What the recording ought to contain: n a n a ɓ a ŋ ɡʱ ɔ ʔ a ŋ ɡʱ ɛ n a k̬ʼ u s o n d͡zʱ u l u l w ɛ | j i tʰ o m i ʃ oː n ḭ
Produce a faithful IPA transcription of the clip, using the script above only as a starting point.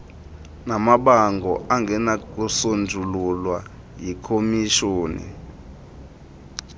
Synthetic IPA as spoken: n a m a ɓ a ŋ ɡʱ ɔ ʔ a ŋ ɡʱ ɛ n a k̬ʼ u s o n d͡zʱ u l u l w a | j i kʰ o m i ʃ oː n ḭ